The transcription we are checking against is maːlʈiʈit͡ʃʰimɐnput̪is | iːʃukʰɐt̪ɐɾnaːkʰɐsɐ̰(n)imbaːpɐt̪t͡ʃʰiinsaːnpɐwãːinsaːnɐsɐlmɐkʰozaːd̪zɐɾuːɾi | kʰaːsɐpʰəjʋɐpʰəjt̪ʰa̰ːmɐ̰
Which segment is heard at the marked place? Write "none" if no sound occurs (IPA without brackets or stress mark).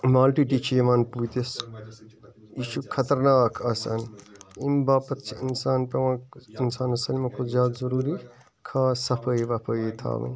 n